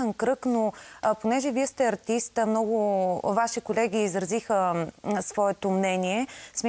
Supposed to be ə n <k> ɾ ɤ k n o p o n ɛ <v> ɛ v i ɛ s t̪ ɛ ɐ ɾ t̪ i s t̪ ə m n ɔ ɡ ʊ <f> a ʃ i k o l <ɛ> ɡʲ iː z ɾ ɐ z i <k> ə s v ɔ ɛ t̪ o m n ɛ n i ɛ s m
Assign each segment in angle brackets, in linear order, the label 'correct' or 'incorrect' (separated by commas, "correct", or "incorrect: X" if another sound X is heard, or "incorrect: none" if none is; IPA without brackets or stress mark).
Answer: correct, incorrect: ʒ, incorrect: v, correct, incorrect: x